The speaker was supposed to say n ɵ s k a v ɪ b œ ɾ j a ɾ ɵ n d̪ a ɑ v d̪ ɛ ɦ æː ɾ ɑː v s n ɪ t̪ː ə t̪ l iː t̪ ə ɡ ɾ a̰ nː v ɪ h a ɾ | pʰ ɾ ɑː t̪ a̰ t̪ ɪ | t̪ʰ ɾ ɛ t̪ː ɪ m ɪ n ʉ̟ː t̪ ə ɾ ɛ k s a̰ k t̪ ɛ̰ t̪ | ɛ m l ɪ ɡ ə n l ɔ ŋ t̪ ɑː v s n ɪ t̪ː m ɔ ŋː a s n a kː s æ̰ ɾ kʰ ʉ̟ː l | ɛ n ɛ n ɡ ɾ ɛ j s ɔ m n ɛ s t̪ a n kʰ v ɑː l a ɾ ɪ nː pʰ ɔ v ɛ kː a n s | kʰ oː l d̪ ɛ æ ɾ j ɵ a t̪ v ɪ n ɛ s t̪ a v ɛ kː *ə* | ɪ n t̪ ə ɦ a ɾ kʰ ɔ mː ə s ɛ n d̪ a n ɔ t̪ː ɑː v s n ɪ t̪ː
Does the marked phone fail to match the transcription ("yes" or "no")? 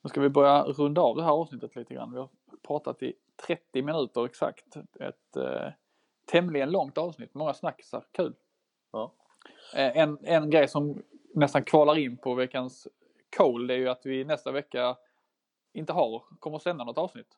yes